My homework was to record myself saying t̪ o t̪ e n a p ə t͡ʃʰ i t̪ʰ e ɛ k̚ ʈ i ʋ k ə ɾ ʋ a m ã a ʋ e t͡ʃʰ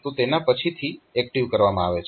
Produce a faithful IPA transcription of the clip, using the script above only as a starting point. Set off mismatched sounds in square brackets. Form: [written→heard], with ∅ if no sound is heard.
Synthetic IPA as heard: t̪ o t̪ e n a p ə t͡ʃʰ i t̪ʰ [e→i] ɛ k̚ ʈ i ʋ k ə ɾ ʋ a m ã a ʋ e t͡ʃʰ